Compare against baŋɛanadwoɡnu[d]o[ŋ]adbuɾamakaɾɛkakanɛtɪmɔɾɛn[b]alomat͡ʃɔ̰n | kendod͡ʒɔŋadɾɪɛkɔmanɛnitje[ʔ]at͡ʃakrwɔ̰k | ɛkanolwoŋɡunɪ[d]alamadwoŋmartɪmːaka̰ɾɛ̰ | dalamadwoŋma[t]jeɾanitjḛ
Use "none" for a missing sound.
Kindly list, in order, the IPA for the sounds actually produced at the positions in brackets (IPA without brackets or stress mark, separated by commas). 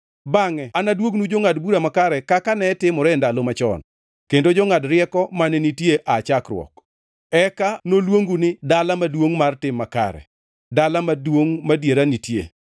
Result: d͡ʒ, ŋ, d, ʔ, d, d